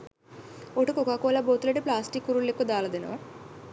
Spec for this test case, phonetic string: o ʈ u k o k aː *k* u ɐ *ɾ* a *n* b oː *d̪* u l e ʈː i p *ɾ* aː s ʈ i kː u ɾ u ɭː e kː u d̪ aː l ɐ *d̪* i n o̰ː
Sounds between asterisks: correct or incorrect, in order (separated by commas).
correct, incorrect, incorrect, incorrect, incorrect, correct